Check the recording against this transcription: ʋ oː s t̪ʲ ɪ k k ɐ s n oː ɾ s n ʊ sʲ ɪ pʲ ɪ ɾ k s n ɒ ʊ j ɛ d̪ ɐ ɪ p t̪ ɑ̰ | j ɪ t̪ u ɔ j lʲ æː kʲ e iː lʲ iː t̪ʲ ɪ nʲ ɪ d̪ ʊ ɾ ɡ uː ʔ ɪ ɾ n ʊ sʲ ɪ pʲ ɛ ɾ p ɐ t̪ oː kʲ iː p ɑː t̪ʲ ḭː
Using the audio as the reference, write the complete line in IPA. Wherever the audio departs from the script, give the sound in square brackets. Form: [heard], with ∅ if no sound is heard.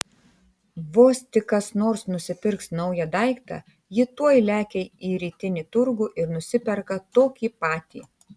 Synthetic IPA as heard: ʋ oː s t̪ʲ ɪ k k ɐ s n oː ɾ s n ʊ sʲ ɪ pʲ ɪ ɾ k s n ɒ ʊ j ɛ d̪ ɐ ɪ [k] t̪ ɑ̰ | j ɪ t̪ u ɔ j lʲ æː kʲ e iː [ɾʲ] iː t̪ʲ ɪ nʲ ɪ [t̪] ʊ ɾ ɡ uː ʔ ɪ ɾ n ʊ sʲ ɪ pʲ ɛ ɾ [k] ɐ t̪ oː kʲ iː p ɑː t̪ʲ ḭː

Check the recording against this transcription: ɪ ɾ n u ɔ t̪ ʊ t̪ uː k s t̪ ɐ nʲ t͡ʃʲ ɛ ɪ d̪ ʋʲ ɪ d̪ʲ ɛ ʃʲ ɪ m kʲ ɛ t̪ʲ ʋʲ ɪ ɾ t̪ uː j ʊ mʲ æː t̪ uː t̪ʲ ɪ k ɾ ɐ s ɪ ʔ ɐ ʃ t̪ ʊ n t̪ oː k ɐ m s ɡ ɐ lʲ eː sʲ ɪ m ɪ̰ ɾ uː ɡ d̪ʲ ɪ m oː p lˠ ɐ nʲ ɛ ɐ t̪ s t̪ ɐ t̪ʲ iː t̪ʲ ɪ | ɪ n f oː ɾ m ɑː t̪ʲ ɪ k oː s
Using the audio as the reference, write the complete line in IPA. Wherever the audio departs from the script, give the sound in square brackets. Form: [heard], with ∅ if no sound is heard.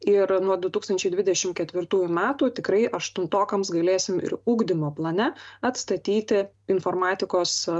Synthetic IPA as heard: ɪ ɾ n u ɔ [d̪] ʊ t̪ uː k s t̪ ɐ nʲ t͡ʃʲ ɛ ɪ d̪ ʋʲ ɪ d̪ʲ ɛ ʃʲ ɪ m kʲ ɛ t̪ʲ ʋʲ ɪ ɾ t̪ uː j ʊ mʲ æː t̪ uː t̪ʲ ɪ k ɾ ɐ [∅] ɪ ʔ ɐ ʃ t̪ ʊ n t̪ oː k ɐ m s ɡ ɐ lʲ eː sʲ ɪ m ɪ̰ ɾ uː ɡ d̪ʲ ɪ m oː p lˠ ɐ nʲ ɛ ɐ t̪ s t̪ ɐ t̪ʲ iː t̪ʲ ɪ | ɪ n f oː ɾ m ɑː t̪ʲ ɪ k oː s

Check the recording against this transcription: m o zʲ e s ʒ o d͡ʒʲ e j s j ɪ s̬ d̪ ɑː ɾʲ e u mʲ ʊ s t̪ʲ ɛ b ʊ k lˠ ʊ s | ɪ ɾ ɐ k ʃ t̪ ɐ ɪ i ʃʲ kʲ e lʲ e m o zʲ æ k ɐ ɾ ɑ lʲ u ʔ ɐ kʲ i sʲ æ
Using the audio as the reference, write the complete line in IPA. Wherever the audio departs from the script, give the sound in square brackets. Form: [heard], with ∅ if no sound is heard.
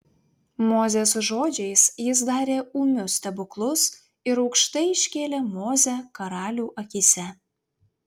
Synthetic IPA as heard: m o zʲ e s ʒ o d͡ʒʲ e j s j ɪ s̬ d̪ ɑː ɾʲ e u mʲ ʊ s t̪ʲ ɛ b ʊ k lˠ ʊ s | ɪ ɾ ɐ k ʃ t̪ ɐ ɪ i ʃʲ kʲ e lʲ e m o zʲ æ k ɐ ɾ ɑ lʲ u ʔ ɐ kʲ i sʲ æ

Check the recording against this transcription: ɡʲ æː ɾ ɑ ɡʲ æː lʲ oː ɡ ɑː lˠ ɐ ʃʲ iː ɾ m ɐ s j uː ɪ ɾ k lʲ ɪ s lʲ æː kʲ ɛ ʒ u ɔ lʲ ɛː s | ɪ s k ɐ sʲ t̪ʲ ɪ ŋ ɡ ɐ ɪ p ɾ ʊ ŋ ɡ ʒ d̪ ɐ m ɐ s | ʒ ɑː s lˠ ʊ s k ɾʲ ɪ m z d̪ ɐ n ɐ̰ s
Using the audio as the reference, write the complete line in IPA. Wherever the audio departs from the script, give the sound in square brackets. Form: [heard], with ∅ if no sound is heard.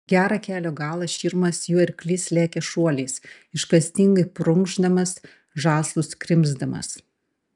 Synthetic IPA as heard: ɡʲ æː ɾ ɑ [kʲ] æː lʲ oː ɡ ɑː lˠ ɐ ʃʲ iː ɾ m ɐ s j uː ɪ ɾ k lʲ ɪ s lʲ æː kʲ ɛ [ʃ] u ɔ lʲ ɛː s | ɪ [ʃ] k ɐ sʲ t̪ʲ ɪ ŋ ɡ ɐ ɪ p ɾ ʊ ŋ ɡ ʒ d̪ ɐ m ɐ s | ʒ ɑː s lˠ ʊ s k ɾʲ ɪ m z d̪ ɐ [m] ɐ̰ s

